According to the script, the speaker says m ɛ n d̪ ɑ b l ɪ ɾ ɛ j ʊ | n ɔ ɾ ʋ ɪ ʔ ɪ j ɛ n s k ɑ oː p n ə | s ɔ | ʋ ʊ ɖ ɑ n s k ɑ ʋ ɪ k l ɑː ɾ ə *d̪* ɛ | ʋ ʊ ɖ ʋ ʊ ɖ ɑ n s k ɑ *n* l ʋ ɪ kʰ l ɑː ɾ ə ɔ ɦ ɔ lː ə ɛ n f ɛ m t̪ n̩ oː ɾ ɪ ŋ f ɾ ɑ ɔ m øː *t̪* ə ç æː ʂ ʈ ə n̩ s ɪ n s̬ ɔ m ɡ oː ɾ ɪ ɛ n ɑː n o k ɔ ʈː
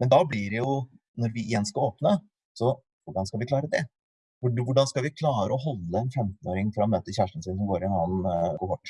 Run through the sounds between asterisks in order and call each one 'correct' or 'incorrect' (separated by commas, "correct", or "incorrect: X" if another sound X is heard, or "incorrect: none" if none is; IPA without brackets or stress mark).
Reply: correct, incorrect: none, correct